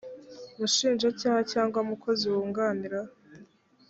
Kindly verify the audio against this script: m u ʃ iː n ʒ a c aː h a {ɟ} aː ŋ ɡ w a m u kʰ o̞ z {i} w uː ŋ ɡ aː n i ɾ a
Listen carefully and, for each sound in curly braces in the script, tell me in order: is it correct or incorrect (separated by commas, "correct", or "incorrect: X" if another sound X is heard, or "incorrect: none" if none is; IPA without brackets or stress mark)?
incorrect: c, correct